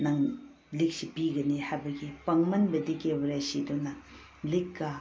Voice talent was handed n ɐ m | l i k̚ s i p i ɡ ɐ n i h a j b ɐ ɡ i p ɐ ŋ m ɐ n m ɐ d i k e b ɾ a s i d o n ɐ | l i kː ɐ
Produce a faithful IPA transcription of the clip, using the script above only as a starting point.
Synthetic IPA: n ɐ ŋ | l i k̚ s i p i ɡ ɐ n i h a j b ɐ ɡ i p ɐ ŋ m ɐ n b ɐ d i k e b ɾ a s i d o n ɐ | l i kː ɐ